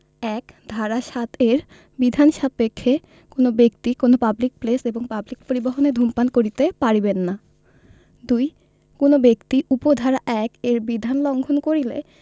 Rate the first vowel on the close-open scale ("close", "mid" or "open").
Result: mid